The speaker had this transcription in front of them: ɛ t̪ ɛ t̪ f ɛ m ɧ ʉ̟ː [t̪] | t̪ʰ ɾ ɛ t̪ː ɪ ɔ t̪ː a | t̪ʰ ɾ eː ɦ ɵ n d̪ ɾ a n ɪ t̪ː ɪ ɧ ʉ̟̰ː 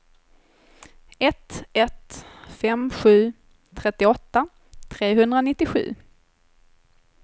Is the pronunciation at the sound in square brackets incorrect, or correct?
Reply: incorrect